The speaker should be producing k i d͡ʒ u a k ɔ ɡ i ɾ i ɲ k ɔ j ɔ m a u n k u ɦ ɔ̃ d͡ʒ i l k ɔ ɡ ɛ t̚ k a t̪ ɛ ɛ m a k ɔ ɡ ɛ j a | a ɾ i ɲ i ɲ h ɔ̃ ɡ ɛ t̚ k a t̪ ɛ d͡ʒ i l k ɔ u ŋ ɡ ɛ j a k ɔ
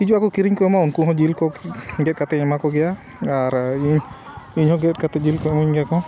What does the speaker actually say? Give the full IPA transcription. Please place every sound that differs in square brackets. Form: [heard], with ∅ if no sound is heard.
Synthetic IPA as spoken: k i d͡ʒ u a k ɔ [k] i ɾ i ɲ k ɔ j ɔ m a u n k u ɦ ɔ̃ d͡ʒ i l k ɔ ɡ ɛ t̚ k a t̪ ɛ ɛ m a k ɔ ɡ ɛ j a | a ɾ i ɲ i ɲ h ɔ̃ ɡ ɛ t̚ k a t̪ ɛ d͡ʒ i l k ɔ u [ɲ] ɡ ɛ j a k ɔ